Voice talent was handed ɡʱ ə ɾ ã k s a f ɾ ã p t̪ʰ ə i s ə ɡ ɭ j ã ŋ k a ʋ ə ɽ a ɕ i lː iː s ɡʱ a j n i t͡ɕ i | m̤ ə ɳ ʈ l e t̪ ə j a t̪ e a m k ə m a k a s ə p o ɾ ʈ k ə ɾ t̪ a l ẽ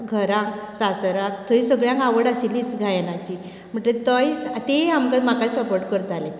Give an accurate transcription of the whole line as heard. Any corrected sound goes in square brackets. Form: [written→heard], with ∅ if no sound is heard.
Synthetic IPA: ɡʱ ə ɾ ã k s a [f→s] ɾ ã [p→k] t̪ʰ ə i s ə ɡ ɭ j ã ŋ k a ʋ ə ɽ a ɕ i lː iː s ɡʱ a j n [i→a] t͡ɕ i | m̤ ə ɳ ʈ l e t̪ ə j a t̪ e a m k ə m a k a s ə p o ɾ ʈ k ə ɾ t̪ a l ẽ